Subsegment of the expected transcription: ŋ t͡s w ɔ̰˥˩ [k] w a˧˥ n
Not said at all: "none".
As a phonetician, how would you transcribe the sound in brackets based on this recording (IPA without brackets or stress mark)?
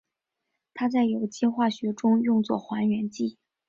x